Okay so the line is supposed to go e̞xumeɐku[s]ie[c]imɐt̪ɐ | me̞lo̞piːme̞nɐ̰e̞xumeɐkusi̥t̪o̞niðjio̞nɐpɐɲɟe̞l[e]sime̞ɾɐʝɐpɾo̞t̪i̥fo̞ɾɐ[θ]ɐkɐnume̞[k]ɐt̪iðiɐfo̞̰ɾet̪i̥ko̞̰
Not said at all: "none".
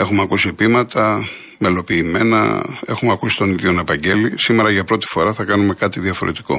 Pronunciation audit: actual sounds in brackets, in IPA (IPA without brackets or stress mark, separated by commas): s, p, i, θ, k